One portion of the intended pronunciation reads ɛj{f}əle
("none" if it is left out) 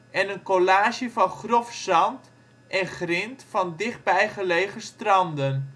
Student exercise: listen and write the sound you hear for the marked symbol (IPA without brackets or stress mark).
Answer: χ